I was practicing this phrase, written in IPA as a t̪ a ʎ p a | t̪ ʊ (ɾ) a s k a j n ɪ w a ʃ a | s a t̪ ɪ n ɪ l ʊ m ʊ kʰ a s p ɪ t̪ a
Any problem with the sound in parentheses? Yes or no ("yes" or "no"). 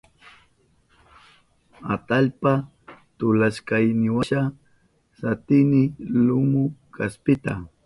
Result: yes